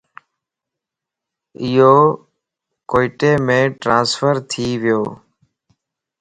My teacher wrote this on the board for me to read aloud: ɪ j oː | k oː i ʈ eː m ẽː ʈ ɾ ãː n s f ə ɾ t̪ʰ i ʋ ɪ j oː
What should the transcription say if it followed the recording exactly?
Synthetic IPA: ɪ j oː | k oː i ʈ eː m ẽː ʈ ɾ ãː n s f ə ɾ t̪ʰ iː ʋ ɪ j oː